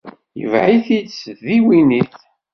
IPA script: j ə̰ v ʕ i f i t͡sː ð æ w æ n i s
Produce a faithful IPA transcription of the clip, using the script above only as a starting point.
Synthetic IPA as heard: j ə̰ v ʕ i θ i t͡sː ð i w i n i θ